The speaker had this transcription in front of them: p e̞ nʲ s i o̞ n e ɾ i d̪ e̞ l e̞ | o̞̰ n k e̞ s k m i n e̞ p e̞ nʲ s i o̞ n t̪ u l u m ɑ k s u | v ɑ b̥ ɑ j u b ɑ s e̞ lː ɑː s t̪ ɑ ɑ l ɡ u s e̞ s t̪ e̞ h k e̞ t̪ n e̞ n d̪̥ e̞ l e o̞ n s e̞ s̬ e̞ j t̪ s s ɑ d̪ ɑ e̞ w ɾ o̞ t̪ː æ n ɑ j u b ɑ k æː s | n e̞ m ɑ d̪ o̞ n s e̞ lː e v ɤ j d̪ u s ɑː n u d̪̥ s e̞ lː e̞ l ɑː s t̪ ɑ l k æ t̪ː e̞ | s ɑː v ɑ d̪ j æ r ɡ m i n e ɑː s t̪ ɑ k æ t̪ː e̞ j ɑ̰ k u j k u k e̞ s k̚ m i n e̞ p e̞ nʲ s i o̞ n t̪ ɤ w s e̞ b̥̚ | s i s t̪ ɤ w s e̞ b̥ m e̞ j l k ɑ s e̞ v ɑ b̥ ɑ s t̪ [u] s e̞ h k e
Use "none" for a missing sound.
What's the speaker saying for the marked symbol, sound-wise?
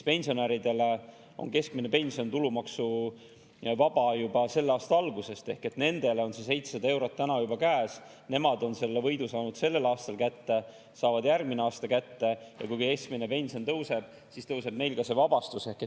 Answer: u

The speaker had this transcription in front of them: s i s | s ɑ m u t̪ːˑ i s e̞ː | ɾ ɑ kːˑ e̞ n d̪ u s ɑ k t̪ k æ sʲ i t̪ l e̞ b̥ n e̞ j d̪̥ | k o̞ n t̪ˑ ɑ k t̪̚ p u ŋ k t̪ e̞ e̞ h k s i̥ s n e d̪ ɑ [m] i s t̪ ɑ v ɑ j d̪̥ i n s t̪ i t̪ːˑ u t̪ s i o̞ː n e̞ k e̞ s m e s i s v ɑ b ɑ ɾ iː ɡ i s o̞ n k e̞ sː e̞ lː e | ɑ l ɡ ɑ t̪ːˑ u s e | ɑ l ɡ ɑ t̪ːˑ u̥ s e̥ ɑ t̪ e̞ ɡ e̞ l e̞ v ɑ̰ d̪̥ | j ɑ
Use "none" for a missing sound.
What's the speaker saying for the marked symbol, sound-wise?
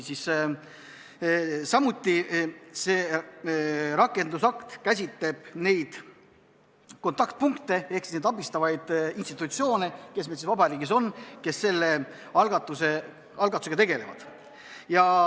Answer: b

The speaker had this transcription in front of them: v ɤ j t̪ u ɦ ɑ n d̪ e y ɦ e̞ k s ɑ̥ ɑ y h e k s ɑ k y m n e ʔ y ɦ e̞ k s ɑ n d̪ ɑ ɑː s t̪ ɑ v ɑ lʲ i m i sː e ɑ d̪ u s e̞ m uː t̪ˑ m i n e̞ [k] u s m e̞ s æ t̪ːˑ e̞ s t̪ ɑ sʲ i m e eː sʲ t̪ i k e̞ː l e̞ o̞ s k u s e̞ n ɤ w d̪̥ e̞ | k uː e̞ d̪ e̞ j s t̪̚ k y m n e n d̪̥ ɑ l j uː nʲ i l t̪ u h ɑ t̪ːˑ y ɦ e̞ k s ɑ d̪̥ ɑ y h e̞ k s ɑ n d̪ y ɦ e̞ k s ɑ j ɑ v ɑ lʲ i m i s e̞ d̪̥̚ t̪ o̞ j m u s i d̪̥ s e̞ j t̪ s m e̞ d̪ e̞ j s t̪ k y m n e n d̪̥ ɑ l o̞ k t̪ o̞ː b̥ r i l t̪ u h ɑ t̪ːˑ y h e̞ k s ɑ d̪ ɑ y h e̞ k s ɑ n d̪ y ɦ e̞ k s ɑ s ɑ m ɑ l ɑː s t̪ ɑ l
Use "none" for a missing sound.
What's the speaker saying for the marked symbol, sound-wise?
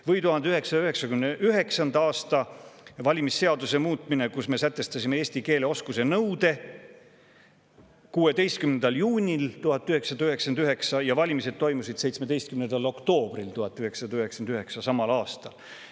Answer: k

